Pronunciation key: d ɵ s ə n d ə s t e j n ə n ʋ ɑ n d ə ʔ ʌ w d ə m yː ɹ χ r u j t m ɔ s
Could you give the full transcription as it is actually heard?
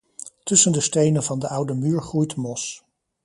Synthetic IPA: t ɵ s ə n d ə s t e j n ə n v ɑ n d ə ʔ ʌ w d ə m yː ɹ χ r u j t m ɔ s